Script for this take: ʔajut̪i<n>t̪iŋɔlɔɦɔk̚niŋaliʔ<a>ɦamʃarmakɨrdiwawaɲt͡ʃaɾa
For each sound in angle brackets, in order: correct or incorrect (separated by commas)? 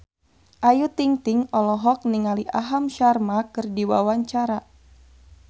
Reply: incorrect, correct